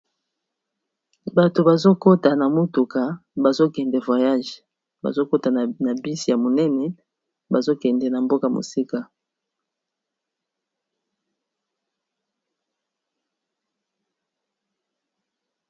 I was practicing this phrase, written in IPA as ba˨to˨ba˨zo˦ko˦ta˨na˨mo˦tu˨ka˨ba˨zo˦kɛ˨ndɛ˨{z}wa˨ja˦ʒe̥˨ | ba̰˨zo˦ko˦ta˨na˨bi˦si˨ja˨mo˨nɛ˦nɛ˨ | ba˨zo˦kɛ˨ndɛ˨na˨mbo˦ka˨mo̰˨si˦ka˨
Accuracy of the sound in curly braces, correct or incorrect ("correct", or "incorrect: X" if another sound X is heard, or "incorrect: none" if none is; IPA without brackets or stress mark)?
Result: incorrect: v